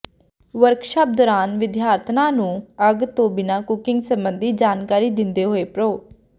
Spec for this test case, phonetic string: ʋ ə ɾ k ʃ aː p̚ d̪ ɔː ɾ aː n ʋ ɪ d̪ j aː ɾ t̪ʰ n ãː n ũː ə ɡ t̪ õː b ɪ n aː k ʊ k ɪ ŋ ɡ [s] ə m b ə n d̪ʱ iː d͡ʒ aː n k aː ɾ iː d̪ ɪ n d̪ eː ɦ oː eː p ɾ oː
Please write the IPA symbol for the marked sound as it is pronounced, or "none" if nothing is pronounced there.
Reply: s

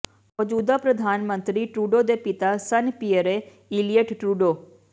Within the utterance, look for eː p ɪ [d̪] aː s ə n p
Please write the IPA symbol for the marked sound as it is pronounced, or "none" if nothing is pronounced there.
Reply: t̪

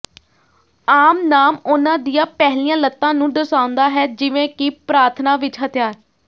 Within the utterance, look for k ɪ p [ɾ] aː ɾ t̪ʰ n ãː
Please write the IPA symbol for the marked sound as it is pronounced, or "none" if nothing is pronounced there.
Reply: ɾ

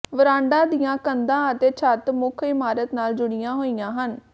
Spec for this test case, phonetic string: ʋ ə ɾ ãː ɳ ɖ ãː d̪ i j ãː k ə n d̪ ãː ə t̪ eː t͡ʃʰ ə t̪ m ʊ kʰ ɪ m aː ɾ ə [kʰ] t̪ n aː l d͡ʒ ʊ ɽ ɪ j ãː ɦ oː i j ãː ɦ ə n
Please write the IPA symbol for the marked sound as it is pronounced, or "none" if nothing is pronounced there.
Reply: none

